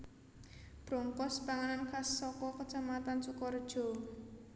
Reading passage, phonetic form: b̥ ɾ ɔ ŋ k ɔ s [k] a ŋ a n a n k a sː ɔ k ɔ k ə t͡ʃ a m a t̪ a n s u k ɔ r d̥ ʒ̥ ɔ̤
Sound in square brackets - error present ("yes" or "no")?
yes